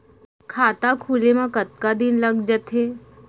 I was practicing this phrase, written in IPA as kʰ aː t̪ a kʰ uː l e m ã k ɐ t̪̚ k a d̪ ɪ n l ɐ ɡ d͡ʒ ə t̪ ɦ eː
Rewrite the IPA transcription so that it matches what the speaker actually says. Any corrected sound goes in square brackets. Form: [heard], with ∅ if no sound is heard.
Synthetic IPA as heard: kʰ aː t̪ a kʰ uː l e m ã k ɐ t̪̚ k a d̪ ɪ n l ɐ ɡ d͡ʒ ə t̪ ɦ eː